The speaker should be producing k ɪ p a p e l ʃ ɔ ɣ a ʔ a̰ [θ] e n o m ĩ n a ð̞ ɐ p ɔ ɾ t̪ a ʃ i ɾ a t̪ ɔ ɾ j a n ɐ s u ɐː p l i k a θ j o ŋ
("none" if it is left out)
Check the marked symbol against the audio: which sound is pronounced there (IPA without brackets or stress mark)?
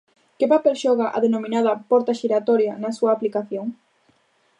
ð